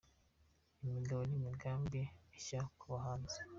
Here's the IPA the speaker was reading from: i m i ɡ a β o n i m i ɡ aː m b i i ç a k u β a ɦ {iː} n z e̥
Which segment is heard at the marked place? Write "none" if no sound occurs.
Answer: aː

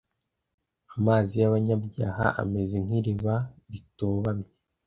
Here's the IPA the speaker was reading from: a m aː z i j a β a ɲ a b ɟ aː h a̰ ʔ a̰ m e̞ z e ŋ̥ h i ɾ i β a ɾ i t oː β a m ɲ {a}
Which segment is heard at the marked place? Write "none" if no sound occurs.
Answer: e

